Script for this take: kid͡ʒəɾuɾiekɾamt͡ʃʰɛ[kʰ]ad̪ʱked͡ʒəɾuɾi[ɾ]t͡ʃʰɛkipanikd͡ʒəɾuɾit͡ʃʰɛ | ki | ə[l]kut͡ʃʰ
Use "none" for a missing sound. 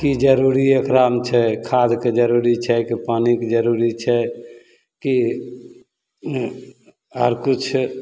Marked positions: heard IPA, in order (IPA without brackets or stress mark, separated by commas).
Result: kʰ, none, ɾ